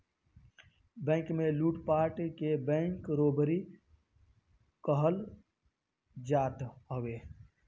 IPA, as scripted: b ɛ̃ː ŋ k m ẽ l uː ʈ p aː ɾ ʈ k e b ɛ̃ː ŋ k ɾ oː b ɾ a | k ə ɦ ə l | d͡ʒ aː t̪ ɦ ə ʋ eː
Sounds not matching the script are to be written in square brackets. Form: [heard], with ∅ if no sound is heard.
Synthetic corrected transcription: b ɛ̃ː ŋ k m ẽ l uː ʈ p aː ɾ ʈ k e b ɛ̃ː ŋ k ɾ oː b ɾ [i] | k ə ɦ ə l | d͡ʒ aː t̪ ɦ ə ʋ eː